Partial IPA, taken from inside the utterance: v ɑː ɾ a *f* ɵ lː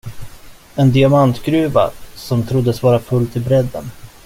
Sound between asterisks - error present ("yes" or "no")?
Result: no